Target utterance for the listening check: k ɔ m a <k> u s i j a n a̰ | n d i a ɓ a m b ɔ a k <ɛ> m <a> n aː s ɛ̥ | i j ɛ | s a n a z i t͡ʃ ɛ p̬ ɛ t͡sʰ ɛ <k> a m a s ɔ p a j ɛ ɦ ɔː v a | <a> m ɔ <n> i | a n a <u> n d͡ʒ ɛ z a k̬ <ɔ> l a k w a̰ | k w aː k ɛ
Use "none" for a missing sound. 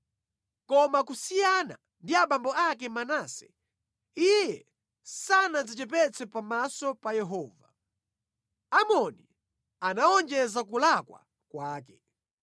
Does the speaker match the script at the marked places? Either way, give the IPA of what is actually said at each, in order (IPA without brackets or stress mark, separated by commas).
k, ɛ, a, p, a, n, ɔ, u